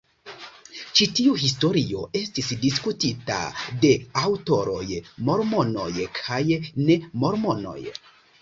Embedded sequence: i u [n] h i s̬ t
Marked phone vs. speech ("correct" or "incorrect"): incorrect